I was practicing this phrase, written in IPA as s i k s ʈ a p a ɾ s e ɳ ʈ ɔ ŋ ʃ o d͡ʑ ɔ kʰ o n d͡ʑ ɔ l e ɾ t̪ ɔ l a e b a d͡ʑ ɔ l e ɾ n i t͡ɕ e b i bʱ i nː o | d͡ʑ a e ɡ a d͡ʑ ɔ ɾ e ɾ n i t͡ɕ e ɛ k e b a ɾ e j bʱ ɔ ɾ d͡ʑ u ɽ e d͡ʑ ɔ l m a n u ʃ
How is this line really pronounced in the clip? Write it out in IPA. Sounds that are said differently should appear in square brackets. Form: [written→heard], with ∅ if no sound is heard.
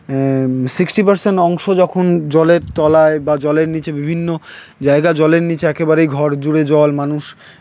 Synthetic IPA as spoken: s i k s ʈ [a→i] p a ɾ s e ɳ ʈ ɔ ŋ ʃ o d͡ʑ ɔ kʰ o n d͡ʑ ɔ l e ɾ t̪ ɔ l a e b a d͡ʑ ɔ l e ɾ n i t͡ɕ e b i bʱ i nː o | d͡ʑ a e ɡ a d͡ʑ ɔ [ɾ→l] e ɾ n i t͡ɕ e ɛ k e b a ɾ e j [bʱ→ɡʱ] ɔ ɾ d͡ʑ u ɽ e d͡ʑ ɔ l m a n u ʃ